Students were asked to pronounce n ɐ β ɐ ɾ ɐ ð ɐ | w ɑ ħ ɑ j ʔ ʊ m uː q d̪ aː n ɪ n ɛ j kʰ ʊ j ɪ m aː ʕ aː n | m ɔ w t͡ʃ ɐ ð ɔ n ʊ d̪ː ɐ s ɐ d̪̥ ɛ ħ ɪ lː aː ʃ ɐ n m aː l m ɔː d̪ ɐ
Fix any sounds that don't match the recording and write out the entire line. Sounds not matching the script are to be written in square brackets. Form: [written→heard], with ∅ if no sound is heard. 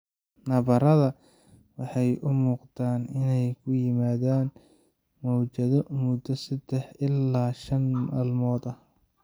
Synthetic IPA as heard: n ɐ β ɐ ɾ ɐ ð ɐ | w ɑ ħ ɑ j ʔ ʊ m uː q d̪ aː n ɪ n ɛ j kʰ ʊ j ɪ m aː [ʕ→ð] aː n | m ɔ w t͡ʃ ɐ ð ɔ [n→m] ʊ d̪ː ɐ s ɐ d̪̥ ɛ ħ ɪ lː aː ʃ ɐ n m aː l m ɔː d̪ ɐ